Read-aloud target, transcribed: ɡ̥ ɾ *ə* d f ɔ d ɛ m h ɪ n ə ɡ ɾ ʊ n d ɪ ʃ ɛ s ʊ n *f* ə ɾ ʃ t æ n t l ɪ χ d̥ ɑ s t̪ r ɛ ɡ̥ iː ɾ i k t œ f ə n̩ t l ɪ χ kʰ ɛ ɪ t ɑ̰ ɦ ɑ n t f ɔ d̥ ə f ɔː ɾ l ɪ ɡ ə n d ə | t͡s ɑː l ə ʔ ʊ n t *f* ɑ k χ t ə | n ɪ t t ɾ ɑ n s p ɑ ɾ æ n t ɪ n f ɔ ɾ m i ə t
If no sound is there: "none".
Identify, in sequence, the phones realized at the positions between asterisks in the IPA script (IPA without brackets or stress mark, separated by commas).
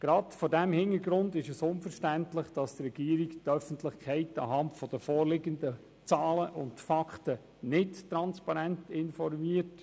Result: ɑ, f, f